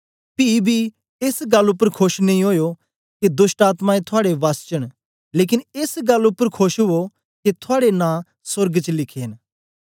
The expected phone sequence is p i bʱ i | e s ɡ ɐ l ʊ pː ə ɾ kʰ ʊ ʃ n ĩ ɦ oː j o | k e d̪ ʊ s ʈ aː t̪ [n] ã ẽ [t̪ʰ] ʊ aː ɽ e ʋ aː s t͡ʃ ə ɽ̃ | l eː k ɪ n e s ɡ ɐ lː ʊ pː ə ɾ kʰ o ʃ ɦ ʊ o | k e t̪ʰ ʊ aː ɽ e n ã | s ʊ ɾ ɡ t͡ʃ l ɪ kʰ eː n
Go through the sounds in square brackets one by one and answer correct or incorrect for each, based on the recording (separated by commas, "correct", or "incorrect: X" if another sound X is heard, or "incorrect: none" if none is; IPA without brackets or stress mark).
incorrect: m, correct